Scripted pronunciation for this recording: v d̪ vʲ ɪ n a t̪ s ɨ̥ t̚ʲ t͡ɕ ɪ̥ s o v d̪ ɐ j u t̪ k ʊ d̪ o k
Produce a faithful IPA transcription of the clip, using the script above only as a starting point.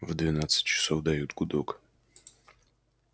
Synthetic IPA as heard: v d̪ vʲ ɪ n a t̪ s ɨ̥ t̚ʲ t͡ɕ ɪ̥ s o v d̪ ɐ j u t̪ ɡ ʊ d̪ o k